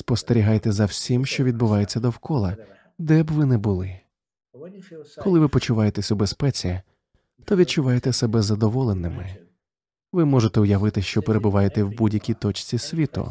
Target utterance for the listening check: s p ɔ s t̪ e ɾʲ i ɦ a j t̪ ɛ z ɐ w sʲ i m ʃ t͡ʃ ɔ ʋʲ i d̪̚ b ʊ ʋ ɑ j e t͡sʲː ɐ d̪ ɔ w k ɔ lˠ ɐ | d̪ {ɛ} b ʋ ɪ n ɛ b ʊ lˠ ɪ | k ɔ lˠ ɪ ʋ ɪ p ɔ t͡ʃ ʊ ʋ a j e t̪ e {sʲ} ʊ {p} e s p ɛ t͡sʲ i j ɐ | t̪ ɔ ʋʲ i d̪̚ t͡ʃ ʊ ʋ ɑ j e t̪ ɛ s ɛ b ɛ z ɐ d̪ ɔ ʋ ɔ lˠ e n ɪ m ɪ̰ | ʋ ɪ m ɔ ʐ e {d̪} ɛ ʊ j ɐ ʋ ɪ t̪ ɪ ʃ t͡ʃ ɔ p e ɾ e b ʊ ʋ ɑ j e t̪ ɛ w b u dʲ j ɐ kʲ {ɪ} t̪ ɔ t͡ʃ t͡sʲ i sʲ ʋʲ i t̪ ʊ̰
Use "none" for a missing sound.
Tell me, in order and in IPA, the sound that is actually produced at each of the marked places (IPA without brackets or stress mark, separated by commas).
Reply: ɛ, sʲ, b, t̪, i